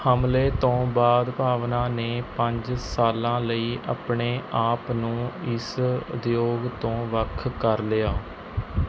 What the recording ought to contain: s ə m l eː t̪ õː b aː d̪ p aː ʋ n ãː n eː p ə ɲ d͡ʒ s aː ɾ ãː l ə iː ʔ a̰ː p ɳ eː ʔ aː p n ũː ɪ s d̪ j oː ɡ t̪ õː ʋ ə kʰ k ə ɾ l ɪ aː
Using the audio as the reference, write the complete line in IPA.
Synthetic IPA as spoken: h ə m l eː t̪ õː b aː d̪ p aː ʋ n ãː n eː p ə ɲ d͡ʒ s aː l ãː l ə iː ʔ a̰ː p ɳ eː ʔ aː p n ũː ɪ s d̪ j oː ɡ t̪ õː ʋ ə kʰ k ə ɾ l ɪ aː

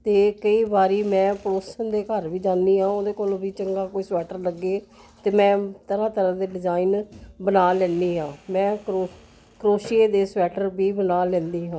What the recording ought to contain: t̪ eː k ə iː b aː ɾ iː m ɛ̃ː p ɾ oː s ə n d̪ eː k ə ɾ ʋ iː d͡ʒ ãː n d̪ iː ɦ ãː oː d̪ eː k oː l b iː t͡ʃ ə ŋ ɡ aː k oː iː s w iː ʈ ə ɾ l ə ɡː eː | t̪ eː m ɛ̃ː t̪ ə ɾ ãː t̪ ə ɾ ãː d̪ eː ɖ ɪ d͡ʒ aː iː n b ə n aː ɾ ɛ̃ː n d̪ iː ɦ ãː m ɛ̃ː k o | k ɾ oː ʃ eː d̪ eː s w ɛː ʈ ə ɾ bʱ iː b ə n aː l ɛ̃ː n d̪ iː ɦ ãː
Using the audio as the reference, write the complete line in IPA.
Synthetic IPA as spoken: t̪ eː k ə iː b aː ɾ iː m ɛ̃ː p ɾ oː s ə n d̪ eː k ə ɾ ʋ iː d͡ʒ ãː n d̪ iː ɦ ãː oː d̪ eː k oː l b iː t͡ʃ ə ŋ ɡ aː k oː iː s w ɛː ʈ ə ɾ l ə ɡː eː | t̪ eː m ɛ̃ː t̪ ə ɾ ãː t̪ ə ɾ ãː d̪ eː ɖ ɪ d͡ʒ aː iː n b ə n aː l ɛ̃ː n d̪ iː ɦ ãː m ɛ̃ː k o | k ɾ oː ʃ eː d̪ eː s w ɛː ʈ ə ɾ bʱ iː b ə n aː l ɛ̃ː n d̪ iː ɦ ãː

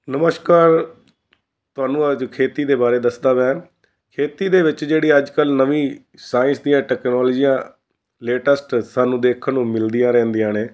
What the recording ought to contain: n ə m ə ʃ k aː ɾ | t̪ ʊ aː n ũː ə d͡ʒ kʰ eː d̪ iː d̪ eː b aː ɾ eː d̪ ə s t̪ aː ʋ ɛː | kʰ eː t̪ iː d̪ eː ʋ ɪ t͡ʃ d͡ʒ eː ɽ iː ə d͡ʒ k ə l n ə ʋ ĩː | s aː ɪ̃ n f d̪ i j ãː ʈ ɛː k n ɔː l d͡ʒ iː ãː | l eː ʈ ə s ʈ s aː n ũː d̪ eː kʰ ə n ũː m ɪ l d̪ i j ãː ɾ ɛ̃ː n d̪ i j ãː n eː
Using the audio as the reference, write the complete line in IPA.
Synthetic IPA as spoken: n ə m ə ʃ k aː ɾ | t̪ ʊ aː n ũː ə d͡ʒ kʰ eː t̪ iː d̪ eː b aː ɾ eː d̪ ə s d̪ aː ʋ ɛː | kʰ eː t̪ iː d̪ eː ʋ ɪ t͡ʃ d͡ʒ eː ɽ iː ə d͡ʒ k ə l n ə ʋ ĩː | s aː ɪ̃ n s d̪ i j ãː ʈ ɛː k n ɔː l d͡ʒ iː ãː | l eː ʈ ə s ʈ s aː n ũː d̪ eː kʰ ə n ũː m ɪ l d̪ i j ãː ɾ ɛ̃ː n d̪ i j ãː n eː

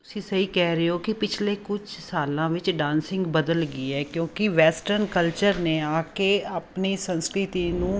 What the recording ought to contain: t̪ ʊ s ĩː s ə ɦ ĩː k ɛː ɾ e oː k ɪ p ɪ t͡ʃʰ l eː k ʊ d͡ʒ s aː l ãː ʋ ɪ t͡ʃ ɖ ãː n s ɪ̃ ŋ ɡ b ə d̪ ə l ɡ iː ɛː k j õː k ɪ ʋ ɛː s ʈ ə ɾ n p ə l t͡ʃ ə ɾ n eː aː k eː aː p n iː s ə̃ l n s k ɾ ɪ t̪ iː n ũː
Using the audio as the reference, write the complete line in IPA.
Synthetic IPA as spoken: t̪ ʊ s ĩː s ə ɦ iː k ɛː ɾ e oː k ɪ p ɪ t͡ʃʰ l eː k ʊ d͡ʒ s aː l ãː ʋ ɪ t͡ʃ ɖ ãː n s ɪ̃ ŋ ɡ b ə d̪ ə l ɡ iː ɛː k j õː k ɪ ʋ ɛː s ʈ ə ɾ n k ə l t͡ʃ ə ɾ n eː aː k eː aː p n iː s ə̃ n s k ɾ ɪ t̪ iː n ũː

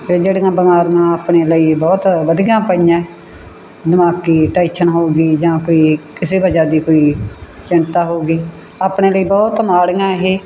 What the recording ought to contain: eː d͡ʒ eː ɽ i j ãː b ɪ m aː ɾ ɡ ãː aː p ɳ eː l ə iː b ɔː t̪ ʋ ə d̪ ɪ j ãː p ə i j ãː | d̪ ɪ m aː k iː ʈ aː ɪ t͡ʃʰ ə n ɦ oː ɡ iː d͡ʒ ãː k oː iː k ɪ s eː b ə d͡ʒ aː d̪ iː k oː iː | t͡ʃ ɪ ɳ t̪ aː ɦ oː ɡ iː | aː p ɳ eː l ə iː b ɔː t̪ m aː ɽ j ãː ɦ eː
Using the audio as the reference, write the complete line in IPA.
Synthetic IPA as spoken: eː d͡ʒ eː ɽ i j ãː b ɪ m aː ɾ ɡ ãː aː p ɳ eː l ə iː b ɔː t̪ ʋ ə d̪ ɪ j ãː p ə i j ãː | d̪ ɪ m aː k iː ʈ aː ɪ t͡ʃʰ ə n ɦ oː ɡ iː d͡ʒ ãː k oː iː k ɪ s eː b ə d͡ʒ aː d̪ iː k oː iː | t͡ʃ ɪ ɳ t̪ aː ɦ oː ɡ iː | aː p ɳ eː l ə iː b ɔː t̪ m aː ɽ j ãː ɦ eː

